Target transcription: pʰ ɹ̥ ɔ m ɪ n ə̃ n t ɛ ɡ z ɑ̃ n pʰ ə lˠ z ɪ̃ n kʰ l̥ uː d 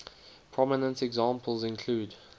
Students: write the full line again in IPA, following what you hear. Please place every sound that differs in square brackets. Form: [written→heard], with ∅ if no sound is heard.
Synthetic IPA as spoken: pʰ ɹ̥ ɔ m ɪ n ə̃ n t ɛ ɡ z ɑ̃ [n→m] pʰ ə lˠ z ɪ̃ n kʰ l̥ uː d